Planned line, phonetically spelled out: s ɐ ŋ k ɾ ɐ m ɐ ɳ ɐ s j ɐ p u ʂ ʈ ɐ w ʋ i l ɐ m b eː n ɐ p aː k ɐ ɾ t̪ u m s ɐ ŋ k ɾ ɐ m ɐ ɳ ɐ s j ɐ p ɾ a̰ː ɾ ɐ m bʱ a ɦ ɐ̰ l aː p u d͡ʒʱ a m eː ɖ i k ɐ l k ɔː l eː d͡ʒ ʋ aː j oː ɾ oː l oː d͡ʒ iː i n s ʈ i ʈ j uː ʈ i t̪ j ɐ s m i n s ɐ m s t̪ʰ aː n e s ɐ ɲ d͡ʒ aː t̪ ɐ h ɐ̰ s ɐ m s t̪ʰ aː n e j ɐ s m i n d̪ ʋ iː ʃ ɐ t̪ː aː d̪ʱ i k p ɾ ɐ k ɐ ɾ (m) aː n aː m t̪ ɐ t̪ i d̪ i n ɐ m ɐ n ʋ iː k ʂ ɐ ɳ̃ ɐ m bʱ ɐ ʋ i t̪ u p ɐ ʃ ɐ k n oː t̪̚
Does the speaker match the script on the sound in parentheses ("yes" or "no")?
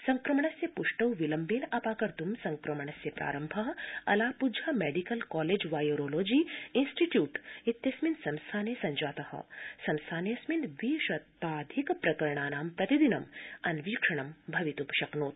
no